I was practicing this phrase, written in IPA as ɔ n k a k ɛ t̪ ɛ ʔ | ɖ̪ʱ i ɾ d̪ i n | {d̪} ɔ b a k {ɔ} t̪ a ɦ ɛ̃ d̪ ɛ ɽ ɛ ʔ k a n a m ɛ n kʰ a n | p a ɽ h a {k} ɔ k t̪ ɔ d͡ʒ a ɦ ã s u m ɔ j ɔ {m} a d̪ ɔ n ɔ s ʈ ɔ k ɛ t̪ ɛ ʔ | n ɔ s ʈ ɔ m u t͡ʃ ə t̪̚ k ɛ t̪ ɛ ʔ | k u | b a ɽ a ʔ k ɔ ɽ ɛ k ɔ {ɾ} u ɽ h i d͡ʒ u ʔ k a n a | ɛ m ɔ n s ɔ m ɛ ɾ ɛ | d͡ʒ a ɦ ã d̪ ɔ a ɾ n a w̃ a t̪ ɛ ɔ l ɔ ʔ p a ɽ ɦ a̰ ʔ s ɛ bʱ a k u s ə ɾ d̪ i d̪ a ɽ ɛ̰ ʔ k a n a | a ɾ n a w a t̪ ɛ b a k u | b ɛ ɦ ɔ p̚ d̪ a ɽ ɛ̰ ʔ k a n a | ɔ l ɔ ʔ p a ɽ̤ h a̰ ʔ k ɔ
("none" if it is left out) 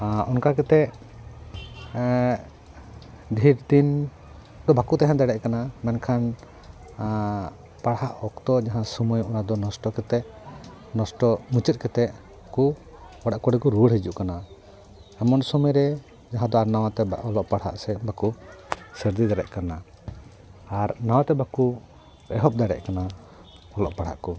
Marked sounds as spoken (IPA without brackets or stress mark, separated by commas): d̪, u, ʔ, n, ɾ